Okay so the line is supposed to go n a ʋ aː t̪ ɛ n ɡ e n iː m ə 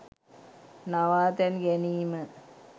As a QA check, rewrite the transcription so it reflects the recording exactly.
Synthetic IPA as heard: n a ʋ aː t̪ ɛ n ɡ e n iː m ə